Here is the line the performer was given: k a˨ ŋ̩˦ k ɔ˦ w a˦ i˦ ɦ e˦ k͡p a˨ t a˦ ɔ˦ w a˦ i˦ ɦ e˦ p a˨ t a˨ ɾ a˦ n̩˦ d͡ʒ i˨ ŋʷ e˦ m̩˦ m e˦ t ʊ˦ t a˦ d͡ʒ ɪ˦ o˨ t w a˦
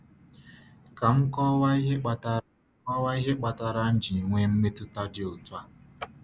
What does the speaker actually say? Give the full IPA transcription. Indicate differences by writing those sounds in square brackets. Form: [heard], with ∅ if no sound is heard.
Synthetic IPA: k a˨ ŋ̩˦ k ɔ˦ w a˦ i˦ ɦ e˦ k͡p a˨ t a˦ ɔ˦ w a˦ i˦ ɦ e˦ [k͡p] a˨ t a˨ ɾ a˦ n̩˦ d͡ʒ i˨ ŋʷ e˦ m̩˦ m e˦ t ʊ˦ t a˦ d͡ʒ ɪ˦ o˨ t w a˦